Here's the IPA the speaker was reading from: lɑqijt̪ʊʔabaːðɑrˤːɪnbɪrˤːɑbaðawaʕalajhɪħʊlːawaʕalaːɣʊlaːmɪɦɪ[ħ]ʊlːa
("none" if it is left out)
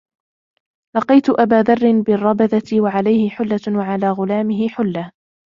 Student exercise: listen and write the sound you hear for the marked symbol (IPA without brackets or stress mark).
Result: ħ